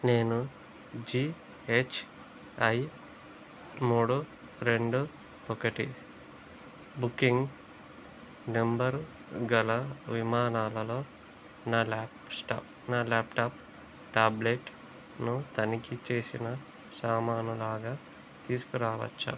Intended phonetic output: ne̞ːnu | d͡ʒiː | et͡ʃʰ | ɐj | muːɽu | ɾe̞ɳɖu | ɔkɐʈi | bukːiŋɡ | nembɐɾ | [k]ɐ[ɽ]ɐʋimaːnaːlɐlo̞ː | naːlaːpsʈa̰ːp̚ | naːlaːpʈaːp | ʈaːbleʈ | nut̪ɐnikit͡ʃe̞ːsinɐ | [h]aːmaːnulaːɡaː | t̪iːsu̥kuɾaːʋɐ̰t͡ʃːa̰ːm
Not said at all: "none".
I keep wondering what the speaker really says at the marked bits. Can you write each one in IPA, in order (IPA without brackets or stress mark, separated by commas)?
ɡ, l, s